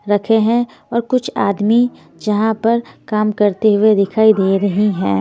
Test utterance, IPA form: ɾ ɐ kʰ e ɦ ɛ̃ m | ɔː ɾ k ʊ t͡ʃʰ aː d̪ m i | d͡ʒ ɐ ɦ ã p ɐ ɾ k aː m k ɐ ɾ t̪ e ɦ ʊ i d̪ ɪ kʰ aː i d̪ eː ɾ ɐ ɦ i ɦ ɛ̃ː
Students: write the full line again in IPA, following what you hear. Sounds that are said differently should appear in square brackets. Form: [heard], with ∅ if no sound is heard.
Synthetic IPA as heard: ɾ ɐ kʰ e ɦ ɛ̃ [∅] | ɔː ɾ k ʊ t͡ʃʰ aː d̪ m i | d͡ʒ ɐ ɦ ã p ɐ ɾ k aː m k ɐ ɾ t̪ e ɦ ʊ [e] d̪ ɪ kʰ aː i d̪ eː ɾ ɐ ɦ i ɦ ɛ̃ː